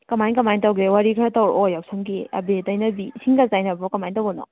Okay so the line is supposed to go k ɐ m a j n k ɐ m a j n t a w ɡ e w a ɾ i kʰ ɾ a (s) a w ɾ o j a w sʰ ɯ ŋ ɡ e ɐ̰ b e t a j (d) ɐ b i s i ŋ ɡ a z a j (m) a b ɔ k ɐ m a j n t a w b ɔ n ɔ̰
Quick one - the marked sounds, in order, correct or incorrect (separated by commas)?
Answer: incorrect, incorrect, incorrect